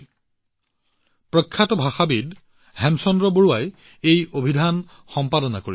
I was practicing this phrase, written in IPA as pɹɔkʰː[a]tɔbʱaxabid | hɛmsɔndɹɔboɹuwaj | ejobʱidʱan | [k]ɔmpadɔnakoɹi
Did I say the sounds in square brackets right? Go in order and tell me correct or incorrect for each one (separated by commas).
correct, incorrect